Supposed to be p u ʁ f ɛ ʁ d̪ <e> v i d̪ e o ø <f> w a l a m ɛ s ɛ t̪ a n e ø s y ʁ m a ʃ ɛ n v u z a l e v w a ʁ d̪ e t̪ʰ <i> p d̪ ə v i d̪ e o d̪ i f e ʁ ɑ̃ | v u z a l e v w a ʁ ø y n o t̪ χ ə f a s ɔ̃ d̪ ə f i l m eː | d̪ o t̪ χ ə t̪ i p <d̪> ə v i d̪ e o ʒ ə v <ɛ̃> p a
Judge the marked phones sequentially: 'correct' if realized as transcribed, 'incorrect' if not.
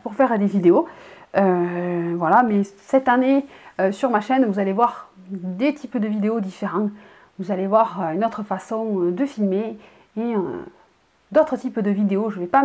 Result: correct, incorrect, correct, correct, incorrect

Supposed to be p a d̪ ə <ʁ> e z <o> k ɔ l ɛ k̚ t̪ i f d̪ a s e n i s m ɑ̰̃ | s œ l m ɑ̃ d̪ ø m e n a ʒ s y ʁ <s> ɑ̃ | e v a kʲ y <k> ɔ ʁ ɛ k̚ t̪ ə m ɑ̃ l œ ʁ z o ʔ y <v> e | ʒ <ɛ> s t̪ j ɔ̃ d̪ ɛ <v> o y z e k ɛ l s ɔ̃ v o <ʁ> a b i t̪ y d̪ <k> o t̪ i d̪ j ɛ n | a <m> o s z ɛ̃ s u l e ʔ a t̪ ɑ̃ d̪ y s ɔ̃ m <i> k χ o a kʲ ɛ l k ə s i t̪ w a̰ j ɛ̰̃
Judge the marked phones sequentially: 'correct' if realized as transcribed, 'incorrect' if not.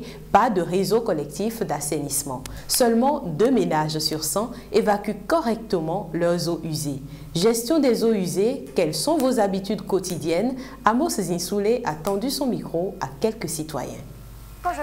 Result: correct, correct, correct, correct, incorrect, correct, incorrect, incorrect, correct, correct, correct

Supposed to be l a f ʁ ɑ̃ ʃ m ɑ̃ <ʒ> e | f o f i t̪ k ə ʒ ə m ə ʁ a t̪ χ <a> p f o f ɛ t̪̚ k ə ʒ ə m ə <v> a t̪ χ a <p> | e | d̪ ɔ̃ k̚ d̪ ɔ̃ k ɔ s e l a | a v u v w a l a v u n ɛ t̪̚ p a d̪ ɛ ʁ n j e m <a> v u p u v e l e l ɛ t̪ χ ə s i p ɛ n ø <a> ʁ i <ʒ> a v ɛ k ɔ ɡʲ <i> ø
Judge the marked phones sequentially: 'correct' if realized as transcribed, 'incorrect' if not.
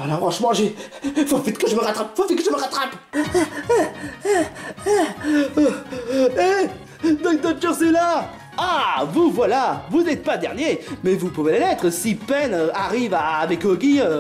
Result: correct, correct, incorrect, correct, incorrect, correct, incorrect, correct

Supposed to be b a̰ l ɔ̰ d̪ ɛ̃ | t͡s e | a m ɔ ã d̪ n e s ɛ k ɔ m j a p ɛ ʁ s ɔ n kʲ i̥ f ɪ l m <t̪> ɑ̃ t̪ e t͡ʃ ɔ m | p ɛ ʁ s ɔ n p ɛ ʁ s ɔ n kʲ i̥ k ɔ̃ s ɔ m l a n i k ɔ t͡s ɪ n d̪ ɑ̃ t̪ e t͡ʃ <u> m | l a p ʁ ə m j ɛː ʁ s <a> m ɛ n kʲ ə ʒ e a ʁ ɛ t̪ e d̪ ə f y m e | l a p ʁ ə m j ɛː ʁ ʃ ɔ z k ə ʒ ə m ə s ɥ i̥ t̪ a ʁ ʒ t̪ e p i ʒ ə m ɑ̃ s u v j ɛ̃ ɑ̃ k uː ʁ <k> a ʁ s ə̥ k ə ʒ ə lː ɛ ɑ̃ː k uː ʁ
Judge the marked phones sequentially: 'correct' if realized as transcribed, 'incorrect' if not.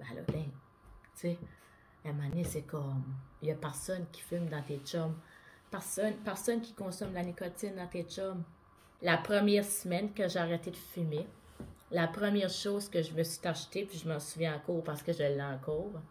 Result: incorrect, incorrect, incorrect, incorrect

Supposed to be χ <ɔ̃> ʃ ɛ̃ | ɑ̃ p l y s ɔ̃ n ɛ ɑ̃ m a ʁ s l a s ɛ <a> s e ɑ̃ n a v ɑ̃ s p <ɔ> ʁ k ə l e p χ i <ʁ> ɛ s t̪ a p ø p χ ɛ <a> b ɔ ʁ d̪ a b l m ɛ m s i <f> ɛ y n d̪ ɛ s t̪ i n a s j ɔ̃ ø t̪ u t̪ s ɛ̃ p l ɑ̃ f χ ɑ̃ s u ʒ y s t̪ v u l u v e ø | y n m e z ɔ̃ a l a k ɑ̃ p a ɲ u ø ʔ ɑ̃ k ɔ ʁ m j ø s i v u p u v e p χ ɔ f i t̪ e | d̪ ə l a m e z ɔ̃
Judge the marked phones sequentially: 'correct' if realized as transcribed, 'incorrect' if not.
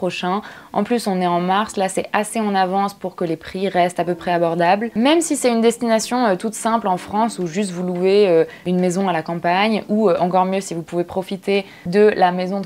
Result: incorrect, correct, incorrect, correct, correct, incorrect

